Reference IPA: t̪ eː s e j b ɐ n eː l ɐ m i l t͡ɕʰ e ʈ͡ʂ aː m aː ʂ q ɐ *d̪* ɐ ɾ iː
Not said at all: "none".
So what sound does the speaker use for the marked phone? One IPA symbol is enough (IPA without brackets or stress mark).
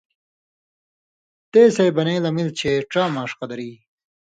d̪